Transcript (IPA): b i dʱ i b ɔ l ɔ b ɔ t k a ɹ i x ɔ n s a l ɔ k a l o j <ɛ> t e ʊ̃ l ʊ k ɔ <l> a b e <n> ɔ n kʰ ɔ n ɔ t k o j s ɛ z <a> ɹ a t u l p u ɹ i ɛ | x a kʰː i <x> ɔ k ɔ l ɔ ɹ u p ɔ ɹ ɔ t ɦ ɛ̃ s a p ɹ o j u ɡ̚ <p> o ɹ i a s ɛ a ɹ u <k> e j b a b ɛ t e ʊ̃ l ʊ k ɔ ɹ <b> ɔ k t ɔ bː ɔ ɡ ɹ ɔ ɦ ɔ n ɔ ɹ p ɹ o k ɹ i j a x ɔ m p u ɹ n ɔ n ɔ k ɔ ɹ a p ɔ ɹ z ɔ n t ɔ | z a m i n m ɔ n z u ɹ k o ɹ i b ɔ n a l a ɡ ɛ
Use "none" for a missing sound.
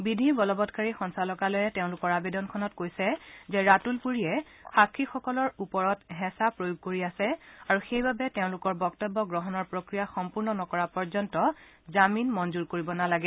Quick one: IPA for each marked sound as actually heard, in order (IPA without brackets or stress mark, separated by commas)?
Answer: ɛ, ɹ, d, ɛ, x, k, x, b